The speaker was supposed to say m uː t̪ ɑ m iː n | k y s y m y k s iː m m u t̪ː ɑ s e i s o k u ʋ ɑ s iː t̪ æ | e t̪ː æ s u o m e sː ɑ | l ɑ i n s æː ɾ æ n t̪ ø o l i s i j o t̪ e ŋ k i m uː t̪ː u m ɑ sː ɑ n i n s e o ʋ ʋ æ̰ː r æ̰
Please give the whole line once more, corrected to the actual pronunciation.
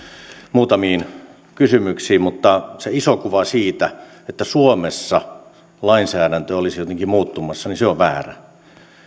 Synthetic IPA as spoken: m uː t̪ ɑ m iː n | k y s y m y k s iː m m u t̪ː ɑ s e i s o k u ʋ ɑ s iː t̪ æ | e t̪ː æ s u o m e sː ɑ | l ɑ i n s æː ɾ æ n t̪ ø o l i s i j o t̪ e ŋ k i m uː t̪ː u m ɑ sː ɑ n i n s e o ʋ ʋ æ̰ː r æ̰